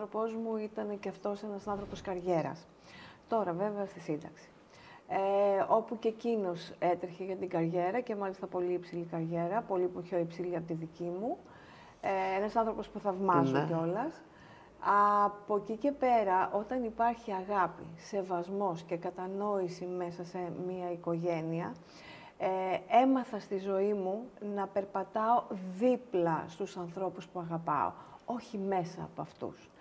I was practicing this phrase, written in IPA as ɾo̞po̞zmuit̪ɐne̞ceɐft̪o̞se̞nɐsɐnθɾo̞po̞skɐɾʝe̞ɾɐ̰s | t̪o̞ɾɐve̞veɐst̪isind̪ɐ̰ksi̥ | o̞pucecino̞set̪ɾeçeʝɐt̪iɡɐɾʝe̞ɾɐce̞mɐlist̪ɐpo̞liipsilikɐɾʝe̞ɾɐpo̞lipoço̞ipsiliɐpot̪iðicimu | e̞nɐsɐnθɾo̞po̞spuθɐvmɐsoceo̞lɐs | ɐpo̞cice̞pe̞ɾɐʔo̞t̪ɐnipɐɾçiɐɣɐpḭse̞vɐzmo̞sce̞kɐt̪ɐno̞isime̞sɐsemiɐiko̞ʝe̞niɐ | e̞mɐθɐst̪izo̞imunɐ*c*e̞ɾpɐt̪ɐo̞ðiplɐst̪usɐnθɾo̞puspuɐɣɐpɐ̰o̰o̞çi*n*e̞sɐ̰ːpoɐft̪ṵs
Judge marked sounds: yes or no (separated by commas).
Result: no, no